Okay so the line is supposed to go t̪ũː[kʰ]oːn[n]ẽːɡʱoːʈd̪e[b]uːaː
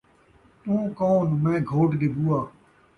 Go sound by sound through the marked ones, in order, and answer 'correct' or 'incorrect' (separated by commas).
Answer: incorrect, incorrect, correct